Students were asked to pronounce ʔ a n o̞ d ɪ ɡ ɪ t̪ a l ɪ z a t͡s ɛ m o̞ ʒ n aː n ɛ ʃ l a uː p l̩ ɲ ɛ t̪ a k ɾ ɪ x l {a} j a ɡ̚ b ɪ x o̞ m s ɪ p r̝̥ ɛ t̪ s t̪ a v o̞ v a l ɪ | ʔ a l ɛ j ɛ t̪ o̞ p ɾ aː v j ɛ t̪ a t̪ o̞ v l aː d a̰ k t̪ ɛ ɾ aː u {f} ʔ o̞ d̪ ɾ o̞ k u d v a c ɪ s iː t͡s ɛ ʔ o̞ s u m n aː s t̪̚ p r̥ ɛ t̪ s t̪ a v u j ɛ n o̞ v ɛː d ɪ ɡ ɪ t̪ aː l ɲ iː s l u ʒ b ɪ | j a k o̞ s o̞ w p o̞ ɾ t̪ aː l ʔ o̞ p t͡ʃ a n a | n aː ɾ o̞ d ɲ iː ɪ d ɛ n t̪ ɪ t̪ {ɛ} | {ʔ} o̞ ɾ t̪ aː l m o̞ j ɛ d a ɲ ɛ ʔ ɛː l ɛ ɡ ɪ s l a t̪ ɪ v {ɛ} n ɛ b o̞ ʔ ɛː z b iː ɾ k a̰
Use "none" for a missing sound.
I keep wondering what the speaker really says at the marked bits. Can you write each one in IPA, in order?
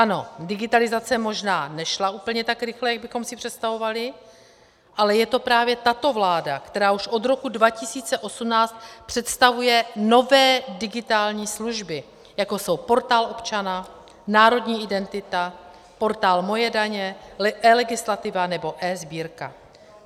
ɛ, ʃ, a, p, a

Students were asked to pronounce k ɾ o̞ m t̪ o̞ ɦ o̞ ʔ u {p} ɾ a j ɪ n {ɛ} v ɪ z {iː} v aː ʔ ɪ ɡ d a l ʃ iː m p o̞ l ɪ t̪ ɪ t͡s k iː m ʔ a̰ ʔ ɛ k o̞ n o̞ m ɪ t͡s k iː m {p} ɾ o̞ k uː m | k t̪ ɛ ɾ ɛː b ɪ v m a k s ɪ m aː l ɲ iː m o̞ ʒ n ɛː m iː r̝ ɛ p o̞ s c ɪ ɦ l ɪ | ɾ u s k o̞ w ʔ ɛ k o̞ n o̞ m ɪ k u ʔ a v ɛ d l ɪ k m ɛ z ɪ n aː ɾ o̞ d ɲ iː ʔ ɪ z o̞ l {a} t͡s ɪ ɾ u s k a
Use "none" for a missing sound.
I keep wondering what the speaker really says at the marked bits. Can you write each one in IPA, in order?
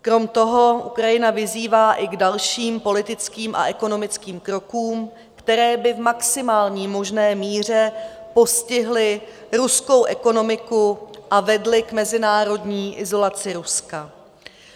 k, a, iː, k, a

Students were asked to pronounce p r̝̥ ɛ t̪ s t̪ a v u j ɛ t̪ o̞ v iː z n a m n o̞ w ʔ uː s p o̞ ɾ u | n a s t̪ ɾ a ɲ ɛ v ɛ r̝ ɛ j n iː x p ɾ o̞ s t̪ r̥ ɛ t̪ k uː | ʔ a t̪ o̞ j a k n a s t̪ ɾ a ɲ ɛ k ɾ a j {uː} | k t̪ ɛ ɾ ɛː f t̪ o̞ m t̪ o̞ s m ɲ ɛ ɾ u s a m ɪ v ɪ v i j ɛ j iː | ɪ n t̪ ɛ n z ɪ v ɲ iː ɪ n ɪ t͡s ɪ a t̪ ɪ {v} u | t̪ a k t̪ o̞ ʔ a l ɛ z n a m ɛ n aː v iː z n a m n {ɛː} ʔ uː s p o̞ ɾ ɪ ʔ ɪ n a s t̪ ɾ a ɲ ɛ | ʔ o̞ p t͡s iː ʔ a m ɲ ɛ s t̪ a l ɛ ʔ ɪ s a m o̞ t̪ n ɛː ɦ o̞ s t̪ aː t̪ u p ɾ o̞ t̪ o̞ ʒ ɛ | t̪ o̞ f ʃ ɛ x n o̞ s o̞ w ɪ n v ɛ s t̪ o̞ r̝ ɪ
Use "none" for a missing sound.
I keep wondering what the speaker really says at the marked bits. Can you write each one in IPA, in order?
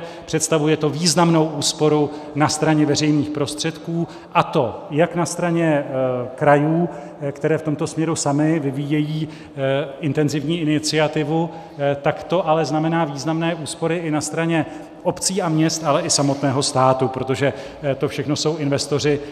uː, v, ɛː

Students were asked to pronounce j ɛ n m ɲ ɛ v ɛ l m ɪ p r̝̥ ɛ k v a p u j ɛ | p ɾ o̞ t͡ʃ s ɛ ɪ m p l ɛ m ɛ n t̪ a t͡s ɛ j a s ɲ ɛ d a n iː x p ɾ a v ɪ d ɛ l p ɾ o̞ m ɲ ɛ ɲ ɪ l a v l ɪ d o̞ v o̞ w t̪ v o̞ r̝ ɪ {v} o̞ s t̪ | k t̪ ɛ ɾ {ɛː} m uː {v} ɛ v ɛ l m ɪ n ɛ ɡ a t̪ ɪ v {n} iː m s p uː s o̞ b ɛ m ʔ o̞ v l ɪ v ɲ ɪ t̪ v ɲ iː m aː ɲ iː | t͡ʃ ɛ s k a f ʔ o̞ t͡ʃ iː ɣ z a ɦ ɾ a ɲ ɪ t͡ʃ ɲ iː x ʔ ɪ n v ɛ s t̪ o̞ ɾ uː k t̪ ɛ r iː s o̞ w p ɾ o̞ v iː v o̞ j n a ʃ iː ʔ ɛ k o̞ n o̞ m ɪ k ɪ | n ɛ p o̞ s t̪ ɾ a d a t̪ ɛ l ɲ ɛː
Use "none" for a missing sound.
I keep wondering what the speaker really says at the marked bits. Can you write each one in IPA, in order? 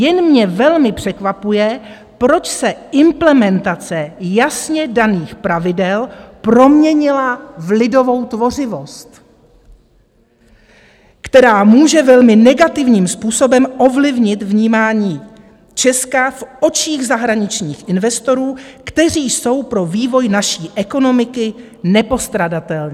v, aː, ʒ, ɲ

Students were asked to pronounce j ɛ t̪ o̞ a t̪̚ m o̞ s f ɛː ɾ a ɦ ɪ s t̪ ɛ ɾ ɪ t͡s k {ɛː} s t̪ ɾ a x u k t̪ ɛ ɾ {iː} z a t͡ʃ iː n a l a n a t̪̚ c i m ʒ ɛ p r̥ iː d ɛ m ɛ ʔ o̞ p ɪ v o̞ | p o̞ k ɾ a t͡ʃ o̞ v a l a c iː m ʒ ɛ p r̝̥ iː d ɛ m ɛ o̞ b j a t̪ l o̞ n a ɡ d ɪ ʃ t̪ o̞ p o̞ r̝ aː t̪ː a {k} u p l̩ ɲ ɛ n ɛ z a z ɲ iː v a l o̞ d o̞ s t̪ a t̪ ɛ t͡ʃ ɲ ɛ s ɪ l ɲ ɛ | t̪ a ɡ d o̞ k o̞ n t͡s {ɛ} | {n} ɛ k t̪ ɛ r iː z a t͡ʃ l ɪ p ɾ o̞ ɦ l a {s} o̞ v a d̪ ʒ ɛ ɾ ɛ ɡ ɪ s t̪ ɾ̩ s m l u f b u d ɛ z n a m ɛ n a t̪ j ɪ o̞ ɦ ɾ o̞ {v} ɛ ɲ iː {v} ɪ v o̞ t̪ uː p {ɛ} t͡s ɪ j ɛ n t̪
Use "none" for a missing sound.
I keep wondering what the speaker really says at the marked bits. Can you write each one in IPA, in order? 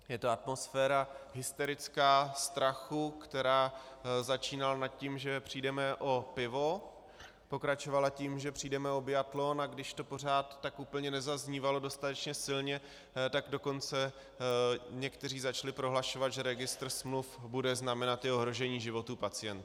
aː, aː, k, ɛ, ɲ, ʃ, ʒ, ʒ, a

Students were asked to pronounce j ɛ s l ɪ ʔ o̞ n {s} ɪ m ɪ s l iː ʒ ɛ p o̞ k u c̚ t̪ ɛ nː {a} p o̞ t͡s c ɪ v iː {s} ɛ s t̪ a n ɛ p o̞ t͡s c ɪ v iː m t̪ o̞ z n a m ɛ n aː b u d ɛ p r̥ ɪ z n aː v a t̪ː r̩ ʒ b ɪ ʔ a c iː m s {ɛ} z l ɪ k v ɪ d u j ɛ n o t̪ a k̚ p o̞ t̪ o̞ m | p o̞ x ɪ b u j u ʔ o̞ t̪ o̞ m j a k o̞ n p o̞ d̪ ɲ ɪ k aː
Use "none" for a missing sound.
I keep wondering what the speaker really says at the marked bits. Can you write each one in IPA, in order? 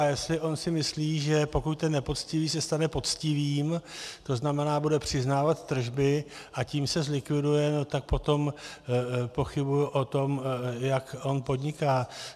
s, ɛ, s, ɛ

